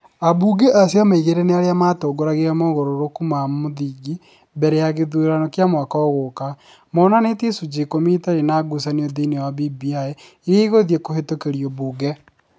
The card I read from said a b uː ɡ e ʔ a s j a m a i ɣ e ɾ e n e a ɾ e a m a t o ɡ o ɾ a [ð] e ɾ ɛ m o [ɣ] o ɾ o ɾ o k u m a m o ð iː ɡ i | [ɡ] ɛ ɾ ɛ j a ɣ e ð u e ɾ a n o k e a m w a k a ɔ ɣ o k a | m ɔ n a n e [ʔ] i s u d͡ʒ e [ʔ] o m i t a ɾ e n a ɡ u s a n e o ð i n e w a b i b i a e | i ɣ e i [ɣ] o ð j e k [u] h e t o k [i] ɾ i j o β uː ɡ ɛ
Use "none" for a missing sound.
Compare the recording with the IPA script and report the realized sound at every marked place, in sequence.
ɣ, ɣ, b, t, k, ɣ, o, e

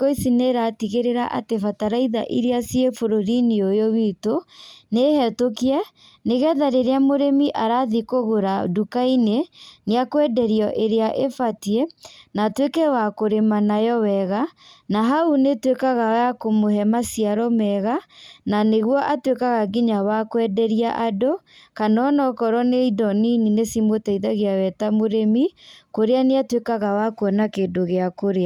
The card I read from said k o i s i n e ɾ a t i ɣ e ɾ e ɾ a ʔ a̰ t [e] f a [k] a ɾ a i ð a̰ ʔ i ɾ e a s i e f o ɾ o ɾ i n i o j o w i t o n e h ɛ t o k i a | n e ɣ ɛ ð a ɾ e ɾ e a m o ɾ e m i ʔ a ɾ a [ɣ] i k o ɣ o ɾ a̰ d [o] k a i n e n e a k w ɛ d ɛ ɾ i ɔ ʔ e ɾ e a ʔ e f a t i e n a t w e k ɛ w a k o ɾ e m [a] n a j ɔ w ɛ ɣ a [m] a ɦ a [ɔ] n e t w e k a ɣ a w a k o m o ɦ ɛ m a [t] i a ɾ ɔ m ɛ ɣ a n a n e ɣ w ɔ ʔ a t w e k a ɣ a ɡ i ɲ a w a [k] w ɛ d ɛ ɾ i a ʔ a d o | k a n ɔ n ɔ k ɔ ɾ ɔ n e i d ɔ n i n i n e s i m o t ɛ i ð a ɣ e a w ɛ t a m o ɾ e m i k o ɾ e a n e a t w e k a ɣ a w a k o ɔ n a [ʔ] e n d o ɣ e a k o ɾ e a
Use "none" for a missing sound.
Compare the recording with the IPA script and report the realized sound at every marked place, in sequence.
e, t, ð, u, a, n, u, s, k, k

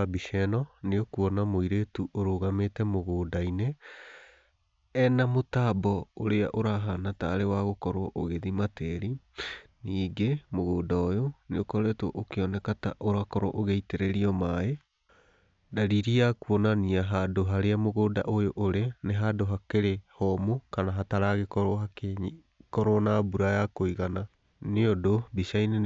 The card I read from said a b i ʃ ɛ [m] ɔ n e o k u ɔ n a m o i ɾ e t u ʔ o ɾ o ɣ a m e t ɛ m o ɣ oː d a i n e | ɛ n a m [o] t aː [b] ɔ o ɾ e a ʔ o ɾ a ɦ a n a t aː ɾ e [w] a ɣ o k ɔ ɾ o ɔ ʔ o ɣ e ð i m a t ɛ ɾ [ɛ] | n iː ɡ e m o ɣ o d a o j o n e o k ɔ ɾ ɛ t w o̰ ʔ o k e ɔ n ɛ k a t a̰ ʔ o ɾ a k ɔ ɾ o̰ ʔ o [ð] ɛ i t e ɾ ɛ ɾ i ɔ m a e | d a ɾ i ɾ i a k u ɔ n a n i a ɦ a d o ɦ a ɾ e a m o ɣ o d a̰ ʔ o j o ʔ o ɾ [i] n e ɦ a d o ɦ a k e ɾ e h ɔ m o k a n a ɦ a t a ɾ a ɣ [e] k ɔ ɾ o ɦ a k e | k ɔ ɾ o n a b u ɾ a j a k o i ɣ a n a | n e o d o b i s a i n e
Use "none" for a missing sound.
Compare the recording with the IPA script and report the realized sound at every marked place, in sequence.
n, o, b, w, i, ɣ, e, e

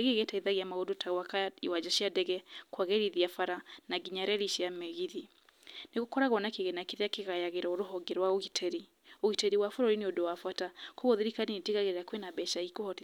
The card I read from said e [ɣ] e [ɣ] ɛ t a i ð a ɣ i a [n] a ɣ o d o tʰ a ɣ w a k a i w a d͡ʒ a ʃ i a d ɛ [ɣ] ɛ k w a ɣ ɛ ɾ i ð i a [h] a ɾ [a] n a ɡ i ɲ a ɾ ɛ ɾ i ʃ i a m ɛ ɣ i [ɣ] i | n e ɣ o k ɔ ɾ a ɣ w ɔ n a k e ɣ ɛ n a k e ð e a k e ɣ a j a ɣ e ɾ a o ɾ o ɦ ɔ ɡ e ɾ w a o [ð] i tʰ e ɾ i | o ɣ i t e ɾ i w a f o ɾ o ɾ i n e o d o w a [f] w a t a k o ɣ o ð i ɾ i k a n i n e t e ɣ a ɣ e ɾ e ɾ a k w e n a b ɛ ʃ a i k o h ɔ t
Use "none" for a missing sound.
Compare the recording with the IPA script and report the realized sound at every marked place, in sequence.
ɣ, ɣ, m, ɣ, f, a, ð, ɣ, f

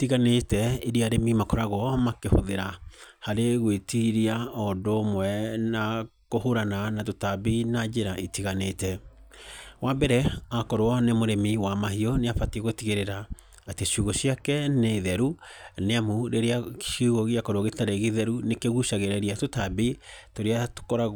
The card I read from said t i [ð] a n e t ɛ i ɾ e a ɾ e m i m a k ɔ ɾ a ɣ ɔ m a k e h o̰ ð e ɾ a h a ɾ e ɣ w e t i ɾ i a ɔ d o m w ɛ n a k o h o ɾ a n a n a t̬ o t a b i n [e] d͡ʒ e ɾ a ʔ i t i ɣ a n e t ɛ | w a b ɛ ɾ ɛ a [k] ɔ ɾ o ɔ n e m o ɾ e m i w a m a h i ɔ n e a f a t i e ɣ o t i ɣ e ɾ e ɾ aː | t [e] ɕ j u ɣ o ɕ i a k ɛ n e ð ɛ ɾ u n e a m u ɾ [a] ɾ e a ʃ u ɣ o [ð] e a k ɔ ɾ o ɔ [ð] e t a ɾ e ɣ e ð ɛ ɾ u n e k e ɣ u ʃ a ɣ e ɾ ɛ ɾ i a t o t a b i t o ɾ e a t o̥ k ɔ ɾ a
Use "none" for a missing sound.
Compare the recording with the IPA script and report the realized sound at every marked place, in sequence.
ɣ, a, k, e, e, ɣ, ɣ

